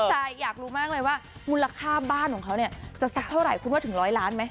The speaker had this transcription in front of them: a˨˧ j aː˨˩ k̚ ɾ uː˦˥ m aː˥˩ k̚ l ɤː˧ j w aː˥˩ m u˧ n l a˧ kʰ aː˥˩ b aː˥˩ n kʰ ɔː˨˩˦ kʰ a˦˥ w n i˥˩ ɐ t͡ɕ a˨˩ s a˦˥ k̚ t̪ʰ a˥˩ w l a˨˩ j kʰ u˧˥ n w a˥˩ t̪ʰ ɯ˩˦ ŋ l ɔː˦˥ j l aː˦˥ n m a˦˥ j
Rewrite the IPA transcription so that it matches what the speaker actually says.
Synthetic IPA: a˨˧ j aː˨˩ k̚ ɾ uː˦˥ m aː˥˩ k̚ l ɤː˧ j w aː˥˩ m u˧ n l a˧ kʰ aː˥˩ b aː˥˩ n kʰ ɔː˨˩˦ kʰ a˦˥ w n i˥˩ ɐ t͡ɕ a˨˩ s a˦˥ k̚ t̪ʰ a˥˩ w ɾ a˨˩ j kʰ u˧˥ n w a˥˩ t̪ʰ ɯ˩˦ ŋ ɾ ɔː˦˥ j l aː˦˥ n m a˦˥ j